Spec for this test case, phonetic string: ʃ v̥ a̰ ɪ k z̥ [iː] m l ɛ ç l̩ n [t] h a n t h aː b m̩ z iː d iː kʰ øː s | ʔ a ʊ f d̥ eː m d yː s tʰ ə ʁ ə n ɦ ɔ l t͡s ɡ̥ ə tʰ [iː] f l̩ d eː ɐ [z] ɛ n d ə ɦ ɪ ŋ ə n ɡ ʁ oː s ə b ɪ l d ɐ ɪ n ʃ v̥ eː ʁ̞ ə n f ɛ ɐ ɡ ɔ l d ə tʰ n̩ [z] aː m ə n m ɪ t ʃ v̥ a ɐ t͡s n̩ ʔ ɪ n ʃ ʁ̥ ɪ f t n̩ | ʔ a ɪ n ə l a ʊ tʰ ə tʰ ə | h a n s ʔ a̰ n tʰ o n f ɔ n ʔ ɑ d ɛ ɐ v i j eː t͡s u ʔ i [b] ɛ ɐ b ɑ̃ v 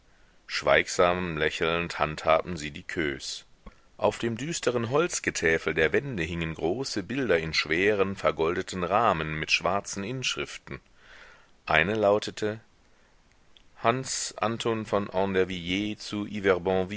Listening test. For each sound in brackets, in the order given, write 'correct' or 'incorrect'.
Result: incorrect, correct, incorrect, incorrect, incorrect, incorrect

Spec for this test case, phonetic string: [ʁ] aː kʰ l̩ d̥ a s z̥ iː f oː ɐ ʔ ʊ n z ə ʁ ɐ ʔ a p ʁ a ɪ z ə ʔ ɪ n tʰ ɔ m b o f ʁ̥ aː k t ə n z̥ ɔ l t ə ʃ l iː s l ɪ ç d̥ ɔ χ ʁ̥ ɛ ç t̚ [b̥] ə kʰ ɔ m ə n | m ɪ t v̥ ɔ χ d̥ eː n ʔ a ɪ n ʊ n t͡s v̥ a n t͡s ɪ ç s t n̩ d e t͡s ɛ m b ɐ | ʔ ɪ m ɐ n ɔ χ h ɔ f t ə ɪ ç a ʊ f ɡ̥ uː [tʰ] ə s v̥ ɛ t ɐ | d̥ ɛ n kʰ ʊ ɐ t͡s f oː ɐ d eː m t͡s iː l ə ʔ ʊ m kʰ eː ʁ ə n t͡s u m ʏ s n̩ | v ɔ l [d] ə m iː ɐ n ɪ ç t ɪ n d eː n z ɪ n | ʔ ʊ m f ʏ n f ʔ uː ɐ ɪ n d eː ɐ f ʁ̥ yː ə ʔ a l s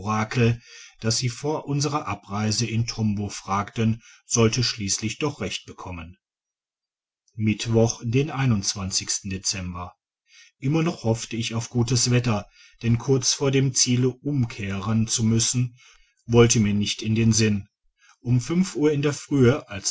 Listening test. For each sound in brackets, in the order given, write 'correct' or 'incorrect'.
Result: correct, correct, incorrect, incorrect

